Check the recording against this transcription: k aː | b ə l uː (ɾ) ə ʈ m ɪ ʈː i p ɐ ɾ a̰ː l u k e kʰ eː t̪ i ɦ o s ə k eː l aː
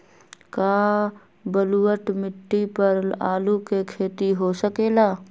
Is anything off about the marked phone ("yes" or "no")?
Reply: yes